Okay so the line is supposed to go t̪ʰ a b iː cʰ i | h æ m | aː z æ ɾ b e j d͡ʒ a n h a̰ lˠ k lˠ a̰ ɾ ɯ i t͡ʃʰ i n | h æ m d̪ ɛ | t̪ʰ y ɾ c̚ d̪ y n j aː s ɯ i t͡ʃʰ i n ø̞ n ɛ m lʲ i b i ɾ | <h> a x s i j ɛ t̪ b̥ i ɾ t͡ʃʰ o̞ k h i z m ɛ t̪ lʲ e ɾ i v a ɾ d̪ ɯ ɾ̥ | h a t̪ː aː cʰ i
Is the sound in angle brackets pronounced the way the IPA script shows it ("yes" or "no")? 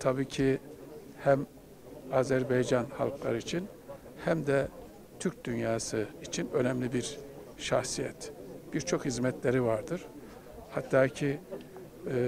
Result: no